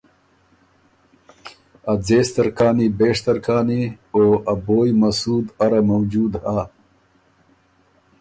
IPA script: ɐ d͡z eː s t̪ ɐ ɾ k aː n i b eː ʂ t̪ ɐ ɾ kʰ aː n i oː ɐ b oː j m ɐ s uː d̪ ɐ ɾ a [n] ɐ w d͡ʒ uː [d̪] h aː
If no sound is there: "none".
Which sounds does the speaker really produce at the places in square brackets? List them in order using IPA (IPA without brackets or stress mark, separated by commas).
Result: m, d̪